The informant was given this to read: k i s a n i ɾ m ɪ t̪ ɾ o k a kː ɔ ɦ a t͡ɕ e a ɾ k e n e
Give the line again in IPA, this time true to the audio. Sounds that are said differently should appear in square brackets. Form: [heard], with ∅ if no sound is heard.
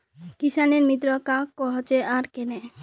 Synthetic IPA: k i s a n [e] ɾ m [i] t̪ ɾ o k a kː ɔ ɦ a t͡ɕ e a ɾ k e n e